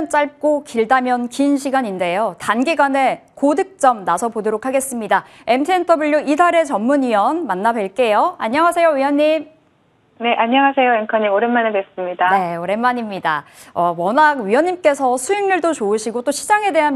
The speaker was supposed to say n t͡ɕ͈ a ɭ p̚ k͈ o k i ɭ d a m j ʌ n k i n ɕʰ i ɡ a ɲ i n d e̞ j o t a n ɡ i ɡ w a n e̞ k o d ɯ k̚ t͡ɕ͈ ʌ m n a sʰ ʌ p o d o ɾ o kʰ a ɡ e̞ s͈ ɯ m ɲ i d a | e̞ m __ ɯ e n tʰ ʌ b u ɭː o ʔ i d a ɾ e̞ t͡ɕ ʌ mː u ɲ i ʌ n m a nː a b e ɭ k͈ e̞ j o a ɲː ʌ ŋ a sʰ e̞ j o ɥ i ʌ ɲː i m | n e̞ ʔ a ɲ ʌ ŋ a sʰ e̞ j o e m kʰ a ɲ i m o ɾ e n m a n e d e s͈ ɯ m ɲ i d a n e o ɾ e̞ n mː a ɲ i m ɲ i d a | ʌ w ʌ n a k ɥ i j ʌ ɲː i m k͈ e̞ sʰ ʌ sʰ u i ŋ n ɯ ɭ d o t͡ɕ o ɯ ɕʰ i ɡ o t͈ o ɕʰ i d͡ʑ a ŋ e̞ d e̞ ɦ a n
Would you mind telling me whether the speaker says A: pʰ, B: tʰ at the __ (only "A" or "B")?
B